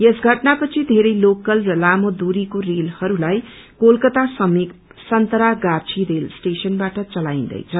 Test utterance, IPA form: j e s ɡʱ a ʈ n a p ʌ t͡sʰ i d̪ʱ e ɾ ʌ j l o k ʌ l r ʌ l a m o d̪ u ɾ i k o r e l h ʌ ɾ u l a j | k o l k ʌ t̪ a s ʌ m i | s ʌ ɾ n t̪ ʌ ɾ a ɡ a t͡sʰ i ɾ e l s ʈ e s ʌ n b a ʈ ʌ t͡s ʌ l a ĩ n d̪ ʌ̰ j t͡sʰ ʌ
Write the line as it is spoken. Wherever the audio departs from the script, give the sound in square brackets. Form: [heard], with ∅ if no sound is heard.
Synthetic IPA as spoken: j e s ɡʱ [ʌ] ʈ n a p ʌ t͡sʰ i d̪ʱ e ɾ ʌ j l o k ʌ l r ʌ l a m o d̪ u ɾ i k o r e l h ʌ ɾ u l a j | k o l k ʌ t̪ a s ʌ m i | s ʌ [∅] n t̪ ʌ ɾ a ɡ a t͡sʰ i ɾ e l s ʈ e s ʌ n b a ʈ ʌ t͡s ʌ l a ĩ n d̪ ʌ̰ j t͡sʰ ʌ